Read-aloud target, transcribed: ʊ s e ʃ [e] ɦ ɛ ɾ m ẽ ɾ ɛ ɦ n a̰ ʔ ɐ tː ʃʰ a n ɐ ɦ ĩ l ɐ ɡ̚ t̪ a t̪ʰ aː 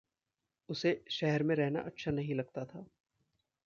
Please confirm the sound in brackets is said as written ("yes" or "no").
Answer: no